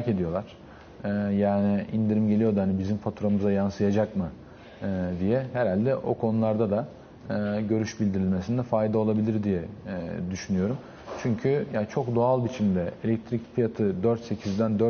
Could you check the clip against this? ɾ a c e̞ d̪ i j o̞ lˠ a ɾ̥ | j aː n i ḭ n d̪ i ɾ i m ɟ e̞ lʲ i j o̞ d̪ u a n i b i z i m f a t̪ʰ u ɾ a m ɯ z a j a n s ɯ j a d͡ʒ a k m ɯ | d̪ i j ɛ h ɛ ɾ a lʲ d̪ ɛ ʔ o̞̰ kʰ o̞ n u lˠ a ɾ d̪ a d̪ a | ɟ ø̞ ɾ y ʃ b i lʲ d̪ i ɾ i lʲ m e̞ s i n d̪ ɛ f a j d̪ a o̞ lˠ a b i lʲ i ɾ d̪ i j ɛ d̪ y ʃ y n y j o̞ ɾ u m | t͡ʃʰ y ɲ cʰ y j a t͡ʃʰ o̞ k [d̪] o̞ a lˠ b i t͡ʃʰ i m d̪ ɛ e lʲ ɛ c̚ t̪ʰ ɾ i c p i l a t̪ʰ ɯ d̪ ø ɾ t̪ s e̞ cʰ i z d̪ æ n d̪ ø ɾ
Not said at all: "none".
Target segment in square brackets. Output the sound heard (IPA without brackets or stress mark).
d̪